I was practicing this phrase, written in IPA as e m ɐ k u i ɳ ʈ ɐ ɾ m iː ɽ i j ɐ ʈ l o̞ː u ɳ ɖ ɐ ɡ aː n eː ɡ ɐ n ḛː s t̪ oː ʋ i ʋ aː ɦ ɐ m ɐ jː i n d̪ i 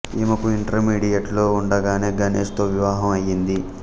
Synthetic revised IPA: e m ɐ k u i ɳ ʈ ɐ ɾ m iː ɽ i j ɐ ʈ l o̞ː u ɳ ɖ ɐ ɡ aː n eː ɡ ɐ n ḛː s t̪ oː ʋ i ʋ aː ɦ ɐ m ɐ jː i n d̪ i

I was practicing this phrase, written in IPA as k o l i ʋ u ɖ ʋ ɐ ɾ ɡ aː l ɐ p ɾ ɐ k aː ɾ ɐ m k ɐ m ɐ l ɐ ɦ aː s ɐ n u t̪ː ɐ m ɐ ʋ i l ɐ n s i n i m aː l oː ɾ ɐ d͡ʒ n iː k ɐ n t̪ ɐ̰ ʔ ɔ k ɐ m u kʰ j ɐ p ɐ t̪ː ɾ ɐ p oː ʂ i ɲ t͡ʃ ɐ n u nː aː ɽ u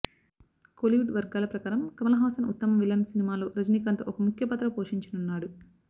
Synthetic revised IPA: k o l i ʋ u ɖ ʋ ɐ ɾ ɡ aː l ɐ p ɾ ɐ k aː ɾ ɐ m k ɐ m ɐ l ɐ ɦ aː s ɐ n u t̪ː ɐ m ɐ ʋ i l ɐ n s i n i m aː l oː ɾ ɐ d͡ʒ n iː k ɐ n t̪ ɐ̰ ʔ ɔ k ɐ m u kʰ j ɐ p ɐ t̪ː ɾ ɐ p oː ʂ i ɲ t͡ʃ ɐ n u nː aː ɽ u

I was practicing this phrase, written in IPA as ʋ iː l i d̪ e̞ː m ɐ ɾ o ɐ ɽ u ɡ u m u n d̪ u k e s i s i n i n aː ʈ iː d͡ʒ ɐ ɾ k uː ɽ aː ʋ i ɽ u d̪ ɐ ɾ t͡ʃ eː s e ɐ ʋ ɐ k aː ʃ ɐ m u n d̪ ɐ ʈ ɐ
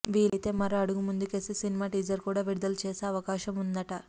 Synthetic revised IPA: ʋ iː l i t̪ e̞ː m ɐ ɾ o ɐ ɽ u ɡ u m u n d̪ u k e s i s i n i m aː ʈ iː d͡ʒ ɐ ɾ k uː ɽ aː ʋ i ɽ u d̪ ɐ l t͡ʃ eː s e ɐ ʋ ɐ k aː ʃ ɐ m u n d̪ ɐ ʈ ɐ

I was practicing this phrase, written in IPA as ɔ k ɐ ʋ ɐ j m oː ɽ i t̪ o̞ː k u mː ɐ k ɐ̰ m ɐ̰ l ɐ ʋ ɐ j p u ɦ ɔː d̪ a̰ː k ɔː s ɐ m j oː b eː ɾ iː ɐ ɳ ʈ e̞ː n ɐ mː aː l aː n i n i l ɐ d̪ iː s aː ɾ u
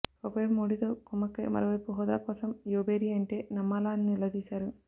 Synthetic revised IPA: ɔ k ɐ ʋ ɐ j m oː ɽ i t̪ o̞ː k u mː ɐ k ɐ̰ m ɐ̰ ɾ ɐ ʋ ɐ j p u ɦ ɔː d̪ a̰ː k ɔː s ɐ m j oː b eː ɾ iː ɐ ɳ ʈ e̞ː n ɐ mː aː l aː n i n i l ɐ d̪ iː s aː ɾ u

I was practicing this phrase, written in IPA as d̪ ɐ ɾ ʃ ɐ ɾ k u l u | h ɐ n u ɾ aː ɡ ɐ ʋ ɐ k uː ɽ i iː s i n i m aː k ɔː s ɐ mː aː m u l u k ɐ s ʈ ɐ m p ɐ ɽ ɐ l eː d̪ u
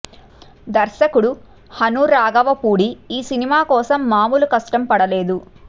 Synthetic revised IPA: d̪ ɐ ɾ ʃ ɐ k u ɽ u | h ɐ n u ɾ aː ɡ ɐ ʋ ɐ p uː ɽ i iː s i n i m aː k ɔː s ɐ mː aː m u l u k ɐ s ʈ ɐ m p ɐ ɽ ɐ l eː d̪ u

